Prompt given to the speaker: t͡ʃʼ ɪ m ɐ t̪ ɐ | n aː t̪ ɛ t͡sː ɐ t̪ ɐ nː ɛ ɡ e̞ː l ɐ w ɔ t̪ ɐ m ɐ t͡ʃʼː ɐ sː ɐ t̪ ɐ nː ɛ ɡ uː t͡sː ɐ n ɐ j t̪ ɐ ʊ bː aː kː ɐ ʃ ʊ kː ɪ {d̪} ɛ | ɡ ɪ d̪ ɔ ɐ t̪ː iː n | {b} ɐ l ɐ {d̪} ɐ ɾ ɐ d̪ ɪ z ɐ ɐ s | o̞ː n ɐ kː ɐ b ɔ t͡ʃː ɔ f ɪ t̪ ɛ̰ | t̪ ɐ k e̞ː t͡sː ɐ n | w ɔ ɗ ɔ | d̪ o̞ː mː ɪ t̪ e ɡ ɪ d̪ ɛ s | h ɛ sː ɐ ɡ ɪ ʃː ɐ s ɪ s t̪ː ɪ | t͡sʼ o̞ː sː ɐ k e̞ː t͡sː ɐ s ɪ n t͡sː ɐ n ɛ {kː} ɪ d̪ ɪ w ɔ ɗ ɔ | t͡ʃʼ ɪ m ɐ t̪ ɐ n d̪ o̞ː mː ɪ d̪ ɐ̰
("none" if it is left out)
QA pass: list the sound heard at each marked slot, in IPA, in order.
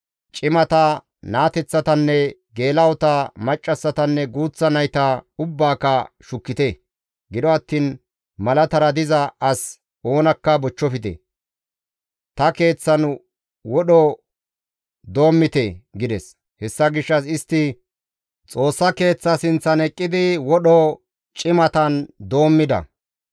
t̪, m, t̪, kʼː

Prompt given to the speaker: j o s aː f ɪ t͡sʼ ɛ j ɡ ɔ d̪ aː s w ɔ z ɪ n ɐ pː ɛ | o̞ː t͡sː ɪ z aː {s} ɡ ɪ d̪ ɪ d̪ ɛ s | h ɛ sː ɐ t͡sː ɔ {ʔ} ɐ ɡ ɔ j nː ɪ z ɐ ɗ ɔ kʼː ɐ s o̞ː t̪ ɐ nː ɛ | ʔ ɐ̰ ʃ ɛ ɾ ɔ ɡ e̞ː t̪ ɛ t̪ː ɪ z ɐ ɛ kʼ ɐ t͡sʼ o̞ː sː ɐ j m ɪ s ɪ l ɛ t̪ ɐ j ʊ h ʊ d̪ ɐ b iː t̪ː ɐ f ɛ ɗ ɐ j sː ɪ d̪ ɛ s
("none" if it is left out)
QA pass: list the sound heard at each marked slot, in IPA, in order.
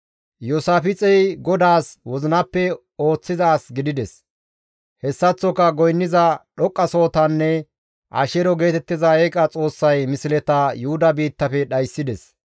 s, k

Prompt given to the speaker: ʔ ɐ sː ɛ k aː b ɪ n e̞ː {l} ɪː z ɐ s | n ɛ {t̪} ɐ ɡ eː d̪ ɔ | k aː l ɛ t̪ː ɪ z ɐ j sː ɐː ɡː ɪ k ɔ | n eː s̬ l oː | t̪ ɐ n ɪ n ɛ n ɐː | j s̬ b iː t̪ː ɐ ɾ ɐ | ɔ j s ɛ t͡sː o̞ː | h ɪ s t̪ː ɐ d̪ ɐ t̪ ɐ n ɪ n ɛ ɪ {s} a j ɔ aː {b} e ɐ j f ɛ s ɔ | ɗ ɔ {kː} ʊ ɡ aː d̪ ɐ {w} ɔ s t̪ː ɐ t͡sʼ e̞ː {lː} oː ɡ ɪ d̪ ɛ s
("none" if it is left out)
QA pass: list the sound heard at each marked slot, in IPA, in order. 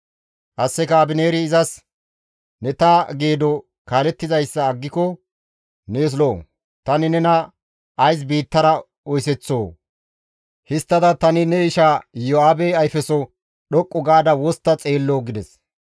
ɾ, t̪, ʃ, b, kʼː, w, lː

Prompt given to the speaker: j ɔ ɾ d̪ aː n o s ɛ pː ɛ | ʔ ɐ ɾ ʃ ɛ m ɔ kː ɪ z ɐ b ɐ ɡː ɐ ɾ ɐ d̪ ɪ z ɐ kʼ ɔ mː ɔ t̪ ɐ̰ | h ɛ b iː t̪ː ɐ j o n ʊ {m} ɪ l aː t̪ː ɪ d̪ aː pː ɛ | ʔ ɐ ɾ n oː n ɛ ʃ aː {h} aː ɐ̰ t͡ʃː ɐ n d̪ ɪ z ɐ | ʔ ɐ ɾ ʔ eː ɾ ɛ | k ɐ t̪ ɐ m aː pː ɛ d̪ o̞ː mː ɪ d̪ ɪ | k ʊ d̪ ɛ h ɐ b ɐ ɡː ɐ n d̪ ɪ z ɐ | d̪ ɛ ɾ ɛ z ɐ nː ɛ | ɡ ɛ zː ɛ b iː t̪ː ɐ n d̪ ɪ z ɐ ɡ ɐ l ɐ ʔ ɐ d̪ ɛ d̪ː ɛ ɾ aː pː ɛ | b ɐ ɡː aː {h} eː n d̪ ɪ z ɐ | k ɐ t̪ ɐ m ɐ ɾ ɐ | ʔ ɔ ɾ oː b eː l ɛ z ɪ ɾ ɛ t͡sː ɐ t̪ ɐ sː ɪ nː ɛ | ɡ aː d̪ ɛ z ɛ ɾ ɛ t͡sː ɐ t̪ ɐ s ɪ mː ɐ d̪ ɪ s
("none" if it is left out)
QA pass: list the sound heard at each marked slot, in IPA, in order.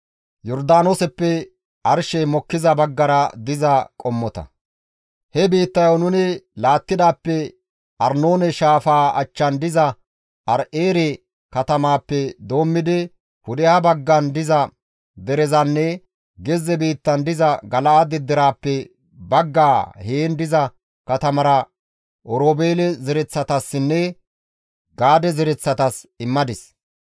n, f, h

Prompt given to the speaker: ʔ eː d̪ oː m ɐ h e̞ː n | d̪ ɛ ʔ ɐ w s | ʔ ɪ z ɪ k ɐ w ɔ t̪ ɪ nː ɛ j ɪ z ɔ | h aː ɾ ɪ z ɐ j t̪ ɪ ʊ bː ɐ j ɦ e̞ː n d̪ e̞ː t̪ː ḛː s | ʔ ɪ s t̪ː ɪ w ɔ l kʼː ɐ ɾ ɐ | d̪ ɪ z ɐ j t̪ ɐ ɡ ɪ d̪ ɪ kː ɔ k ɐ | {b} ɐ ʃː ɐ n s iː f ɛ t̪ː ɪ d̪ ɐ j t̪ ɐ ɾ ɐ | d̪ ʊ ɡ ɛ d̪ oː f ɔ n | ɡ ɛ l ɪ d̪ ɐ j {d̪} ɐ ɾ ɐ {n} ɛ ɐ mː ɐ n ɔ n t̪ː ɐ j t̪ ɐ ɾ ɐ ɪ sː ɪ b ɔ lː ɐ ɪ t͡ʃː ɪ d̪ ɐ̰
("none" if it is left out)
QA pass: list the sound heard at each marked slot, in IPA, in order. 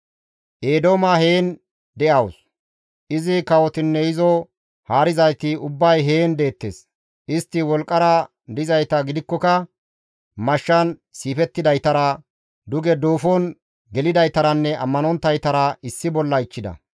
m, t̪, nː

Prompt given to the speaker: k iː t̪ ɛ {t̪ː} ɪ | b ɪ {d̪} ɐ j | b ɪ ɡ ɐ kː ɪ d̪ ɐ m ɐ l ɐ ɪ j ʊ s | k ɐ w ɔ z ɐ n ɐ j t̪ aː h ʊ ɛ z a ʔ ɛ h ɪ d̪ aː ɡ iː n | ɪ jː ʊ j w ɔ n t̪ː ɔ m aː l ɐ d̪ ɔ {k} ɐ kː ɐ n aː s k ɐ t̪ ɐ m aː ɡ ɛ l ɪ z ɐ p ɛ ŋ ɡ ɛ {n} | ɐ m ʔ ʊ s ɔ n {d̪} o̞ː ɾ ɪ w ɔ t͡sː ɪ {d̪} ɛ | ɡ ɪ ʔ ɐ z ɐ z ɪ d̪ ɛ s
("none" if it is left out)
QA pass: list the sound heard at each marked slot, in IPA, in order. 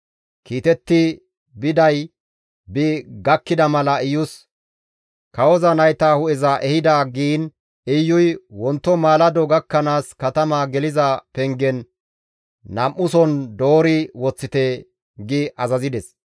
t̪ː, d̪, ɡ, nː, d̪, t̪

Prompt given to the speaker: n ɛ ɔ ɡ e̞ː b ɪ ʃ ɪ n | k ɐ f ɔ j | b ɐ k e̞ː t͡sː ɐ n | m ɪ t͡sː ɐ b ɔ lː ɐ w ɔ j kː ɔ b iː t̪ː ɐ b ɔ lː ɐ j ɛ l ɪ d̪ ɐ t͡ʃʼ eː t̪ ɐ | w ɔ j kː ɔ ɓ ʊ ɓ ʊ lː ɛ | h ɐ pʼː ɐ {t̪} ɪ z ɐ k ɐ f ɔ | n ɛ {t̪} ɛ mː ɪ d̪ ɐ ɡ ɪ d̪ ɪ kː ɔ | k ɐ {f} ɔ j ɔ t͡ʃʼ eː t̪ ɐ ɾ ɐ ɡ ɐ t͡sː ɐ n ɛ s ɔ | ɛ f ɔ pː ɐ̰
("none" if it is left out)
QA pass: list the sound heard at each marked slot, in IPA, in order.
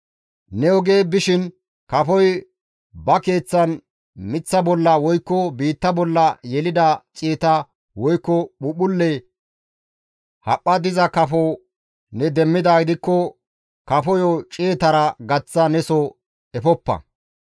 d̪, d̪, f

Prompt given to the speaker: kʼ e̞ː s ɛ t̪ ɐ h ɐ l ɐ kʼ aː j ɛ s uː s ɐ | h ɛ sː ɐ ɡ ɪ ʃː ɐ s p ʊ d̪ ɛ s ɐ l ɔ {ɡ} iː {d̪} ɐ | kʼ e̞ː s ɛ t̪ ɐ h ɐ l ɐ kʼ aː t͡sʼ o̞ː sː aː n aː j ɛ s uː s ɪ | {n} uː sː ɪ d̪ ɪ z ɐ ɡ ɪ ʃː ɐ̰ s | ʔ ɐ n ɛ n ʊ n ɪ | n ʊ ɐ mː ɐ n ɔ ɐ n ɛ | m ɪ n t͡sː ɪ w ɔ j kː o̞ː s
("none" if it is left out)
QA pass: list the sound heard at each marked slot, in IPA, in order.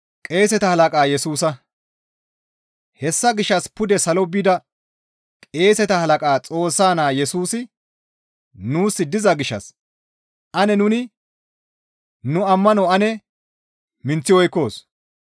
b, d̪, n

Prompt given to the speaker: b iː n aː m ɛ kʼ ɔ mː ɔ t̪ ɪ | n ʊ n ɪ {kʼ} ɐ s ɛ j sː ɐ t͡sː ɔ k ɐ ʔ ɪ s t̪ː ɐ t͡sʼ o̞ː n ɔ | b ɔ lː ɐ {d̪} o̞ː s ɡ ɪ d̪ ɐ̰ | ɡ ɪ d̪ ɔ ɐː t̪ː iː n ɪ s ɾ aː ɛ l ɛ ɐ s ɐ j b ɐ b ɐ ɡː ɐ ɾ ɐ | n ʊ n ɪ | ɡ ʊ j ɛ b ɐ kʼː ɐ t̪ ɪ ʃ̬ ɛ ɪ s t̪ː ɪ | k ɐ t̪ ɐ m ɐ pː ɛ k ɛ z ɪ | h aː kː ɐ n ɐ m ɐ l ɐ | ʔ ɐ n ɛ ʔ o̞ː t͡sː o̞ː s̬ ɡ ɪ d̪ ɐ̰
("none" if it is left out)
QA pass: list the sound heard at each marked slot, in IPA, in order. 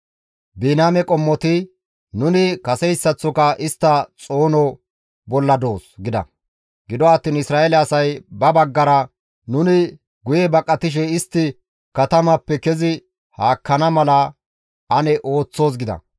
k, d̪

